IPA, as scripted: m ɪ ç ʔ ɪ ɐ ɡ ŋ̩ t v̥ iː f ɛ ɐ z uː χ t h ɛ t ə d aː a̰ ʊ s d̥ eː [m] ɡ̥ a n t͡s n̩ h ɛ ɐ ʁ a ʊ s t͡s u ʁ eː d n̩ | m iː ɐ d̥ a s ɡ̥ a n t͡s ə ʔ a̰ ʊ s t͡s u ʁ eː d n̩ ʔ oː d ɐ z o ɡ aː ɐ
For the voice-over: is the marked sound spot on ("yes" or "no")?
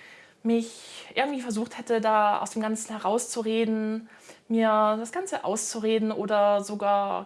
yes